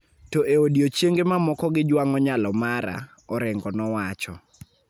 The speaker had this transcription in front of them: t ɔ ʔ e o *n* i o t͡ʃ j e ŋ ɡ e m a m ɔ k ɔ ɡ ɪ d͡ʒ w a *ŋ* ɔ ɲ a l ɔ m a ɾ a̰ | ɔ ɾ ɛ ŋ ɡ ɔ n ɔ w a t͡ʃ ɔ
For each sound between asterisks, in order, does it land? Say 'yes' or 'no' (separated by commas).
no, yes